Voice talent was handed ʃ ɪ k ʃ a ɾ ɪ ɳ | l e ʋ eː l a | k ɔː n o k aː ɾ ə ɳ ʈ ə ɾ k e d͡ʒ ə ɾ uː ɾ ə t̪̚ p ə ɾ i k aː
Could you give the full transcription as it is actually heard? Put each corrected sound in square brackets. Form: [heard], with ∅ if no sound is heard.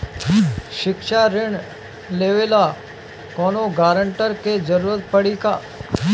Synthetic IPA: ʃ ɪ k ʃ a ɾ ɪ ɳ | l e ʋ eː l a | k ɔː n o [ɡ] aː ɾ ə ɳ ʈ ə ɾ k e d͡ʒ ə ɾ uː ɾ ə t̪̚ p ə [ɽ] i k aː